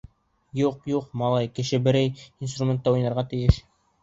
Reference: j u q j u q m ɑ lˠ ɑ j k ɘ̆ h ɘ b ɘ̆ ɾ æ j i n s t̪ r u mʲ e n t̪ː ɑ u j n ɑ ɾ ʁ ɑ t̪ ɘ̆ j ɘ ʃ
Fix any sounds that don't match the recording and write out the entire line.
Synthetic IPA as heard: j u q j u q m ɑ lˠ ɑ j k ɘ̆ ʃ ɘ b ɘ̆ ɾ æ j i n s t̪ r u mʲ e n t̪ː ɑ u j n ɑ ɾ ʁ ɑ t̪ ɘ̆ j ɘ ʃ